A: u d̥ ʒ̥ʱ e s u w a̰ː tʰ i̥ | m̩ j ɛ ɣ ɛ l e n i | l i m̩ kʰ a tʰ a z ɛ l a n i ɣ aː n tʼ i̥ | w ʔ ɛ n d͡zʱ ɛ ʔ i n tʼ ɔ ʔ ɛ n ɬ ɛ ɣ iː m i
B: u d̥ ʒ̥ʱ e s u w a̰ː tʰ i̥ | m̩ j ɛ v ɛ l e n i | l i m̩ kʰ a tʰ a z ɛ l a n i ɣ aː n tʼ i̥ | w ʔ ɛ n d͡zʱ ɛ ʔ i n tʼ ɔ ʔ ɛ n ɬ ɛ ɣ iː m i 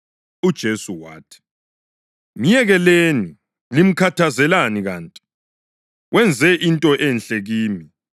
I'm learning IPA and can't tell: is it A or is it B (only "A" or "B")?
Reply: A